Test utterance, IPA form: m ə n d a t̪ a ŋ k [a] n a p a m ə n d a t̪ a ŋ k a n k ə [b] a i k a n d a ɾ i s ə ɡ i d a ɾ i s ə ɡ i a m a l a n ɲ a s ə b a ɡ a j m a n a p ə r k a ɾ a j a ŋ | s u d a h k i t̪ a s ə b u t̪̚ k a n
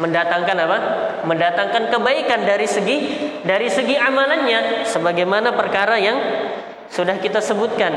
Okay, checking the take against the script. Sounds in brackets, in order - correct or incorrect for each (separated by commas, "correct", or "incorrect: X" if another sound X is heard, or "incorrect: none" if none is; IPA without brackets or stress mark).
correct, correct